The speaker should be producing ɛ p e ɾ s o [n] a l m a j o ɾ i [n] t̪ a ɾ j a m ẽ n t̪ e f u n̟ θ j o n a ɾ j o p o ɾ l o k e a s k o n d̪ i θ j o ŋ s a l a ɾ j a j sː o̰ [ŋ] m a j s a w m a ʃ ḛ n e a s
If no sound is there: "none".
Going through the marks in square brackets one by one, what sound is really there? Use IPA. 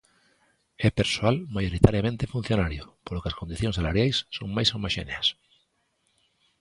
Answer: none, none, ŋ

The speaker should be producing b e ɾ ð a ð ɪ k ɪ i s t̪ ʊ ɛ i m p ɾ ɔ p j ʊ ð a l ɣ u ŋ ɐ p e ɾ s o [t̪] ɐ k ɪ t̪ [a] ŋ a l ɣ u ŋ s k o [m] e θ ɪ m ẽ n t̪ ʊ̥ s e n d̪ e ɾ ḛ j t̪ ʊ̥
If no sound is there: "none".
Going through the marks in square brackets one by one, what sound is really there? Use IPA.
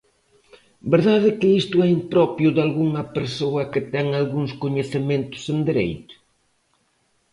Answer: none, ɛ, ɲ

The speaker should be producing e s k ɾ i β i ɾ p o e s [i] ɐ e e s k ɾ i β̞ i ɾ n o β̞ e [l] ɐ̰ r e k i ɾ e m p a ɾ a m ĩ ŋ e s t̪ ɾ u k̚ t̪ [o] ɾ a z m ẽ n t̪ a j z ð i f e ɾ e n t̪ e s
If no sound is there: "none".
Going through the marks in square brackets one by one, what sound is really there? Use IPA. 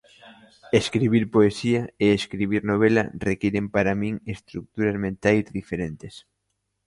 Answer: i, l, u

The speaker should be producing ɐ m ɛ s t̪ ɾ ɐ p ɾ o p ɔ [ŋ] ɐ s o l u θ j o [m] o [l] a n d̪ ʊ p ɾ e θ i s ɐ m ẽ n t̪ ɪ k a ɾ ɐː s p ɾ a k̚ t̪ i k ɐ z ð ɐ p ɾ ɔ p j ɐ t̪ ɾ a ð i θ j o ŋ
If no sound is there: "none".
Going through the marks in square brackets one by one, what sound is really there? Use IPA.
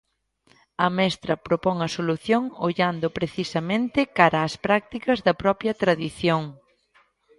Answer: ŋ, ŋ, ʎ

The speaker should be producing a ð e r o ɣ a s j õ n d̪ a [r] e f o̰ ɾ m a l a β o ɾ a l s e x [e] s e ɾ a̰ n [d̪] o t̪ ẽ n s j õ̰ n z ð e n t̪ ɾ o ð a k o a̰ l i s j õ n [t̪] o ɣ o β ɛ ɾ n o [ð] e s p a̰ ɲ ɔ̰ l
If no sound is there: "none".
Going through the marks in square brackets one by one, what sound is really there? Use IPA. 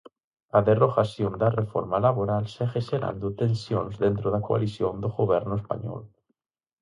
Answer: r, e, d̪, d̪, none

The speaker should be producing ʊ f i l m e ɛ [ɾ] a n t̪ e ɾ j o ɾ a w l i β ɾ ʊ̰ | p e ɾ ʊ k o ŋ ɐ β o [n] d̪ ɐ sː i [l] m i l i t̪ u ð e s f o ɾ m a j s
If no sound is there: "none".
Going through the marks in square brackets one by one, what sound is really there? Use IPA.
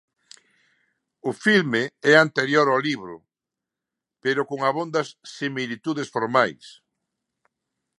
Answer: none, n, none

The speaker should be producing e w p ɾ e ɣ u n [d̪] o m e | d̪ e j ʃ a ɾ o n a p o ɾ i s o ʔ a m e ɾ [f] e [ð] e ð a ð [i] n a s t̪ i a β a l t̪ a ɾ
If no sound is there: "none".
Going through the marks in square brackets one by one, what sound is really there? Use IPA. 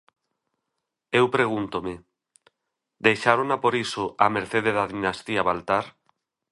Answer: t̪, θ, ð, i

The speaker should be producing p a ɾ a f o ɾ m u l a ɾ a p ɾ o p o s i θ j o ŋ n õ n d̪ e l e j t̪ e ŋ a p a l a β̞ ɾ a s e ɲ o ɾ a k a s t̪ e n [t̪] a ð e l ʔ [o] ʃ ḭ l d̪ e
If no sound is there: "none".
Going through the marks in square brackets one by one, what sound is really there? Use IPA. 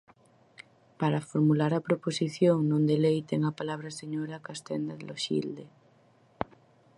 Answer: d̪, o

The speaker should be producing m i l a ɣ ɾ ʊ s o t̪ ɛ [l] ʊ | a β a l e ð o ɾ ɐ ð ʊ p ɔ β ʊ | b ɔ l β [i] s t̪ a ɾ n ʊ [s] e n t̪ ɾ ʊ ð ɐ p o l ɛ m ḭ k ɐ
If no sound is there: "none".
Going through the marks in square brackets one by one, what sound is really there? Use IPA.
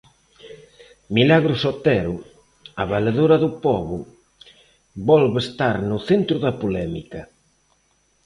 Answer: ɾ, e, θ

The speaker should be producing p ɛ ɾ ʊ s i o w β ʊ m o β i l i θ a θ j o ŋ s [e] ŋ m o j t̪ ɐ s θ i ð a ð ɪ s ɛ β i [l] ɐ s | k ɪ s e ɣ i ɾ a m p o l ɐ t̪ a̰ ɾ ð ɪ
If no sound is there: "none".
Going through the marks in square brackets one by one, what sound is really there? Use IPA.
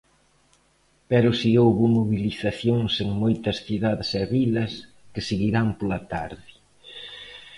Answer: e, l

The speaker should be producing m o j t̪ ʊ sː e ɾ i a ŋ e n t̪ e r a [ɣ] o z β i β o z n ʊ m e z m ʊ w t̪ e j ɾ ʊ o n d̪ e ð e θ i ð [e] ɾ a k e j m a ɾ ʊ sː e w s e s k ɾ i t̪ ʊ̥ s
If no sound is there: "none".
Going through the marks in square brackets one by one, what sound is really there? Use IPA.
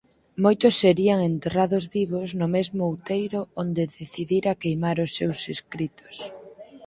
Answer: ð, i

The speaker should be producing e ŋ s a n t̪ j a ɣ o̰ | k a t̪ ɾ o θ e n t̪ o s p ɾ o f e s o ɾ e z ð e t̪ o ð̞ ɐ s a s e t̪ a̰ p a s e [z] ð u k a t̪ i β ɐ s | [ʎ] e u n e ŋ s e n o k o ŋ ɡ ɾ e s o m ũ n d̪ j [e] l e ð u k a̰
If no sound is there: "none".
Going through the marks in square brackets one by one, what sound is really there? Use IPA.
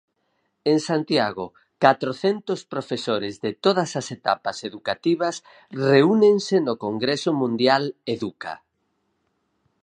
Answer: none, r, a

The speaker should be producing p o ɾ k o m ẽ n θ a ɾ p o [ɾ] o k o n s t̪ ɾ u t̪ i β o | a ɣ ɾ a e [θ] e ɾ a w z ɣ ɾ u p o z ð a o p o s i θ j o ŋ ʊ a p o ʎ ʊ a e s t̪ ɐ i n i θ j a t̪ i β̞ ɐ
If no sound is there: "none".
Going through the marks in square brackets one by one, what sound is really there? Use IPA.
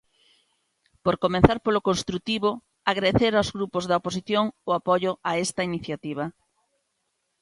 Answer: l, θ

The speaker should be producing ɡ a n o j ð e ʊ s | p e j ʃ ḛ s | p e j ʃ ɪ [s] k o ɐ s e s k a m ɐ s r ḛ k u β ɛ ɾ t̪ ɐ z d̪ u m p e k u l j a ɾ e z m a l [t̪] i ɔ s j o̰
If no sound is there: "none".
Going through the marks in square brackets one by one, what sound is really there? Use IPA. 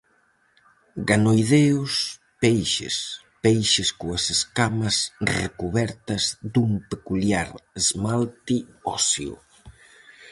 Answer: s, t̪

